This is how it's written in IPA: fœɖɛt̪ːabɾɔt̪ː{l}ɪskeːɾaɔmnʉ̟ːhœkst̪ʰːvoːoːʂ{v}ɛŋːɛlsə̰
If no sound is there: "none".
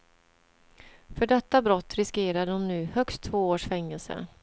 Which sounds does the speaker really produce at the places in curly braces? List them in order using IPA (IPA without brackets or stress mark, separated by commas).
ɾ, f